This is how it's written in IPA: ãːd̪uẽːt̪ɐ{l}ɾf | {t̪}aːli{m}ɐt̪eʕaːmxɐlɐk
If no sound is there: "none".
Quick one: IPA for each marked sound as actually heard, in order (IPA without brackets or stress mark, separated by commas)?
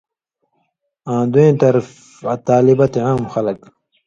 none, t̪, b